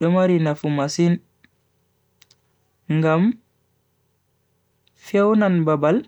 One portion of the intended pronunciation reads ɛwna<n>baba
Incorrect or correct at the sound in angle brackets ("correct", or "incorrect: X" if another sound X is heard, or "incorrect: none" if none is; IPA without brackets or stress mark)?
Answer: correct